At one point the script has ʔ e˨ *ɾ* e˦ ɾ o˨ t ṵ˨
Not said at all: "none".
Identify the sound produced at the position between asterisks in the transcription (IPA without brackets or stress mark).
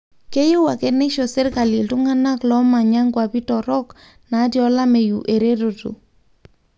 ɾ